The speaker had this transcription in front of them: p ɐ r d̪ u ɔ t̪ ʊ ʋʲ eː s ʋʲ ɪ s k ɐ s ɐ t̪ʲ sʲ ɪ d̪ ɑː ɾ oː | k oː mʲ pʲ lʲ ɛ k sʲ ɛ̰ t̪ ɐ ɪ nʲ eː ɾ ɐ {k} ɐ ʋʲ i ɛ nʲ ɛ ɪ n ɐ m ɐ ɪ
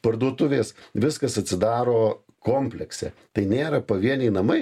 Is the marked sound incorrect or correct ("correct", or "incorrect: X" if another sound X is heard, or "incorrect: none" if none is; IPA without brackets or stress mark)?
incorrect: p